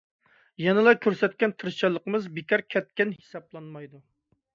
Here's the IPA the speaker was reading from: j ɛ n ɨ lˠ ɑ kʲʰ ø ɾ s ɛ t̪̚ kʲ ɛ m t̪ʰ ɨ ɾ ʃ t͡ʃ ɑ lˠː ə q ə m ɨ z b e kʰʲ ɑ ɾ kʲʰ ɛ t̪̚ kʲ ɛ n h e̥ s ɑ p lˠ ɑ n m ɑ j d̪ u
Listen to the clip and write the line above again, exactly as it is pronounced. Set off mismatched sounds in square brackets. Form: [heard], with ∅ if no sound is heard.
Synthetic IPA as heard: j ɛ n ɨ lˠ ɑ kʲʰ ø ɾ s ɛ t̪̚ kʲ ɛ [n] t̪ʰ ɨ ɾ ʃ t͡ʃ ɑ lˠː ə q ə m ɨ z b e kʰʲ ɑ ɾ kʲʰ ɛ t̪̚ kʲ ɛ n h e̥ s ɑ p lˠ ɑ n m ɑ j d̪ u